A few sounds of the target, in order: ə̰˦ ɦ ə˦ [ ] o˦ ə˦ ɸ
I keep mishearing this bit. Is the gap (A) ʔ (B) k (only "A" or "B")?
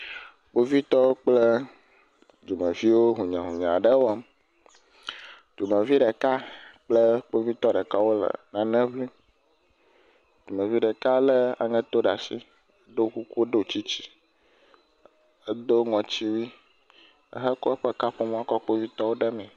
B